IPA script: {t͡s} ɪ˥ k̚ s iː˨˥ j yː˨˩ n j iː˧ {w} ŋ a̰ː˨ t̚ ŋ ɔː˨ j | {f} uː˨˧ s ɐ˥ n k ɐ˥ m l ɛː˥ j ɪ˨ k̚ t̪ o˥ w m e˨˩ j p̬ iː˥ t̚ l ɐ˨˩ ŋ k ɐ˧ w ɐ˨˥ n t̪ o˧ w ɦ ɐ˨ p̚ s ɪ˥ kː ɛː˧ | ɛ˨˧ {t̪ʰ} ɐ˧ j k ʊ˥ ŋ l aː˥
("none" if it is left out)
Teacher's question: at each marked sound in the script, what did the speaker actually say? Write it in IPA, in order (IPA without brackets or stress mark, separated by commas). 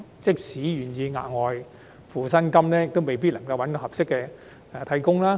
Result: t͡s, none, f, t̪ʰ